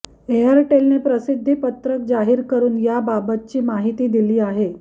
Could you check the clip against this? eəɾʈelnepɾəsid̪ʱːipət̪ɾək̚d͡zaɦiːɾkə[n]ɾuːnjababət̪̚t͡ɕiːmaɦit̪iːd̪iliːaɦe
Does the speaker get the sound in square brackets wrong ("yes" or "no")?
yes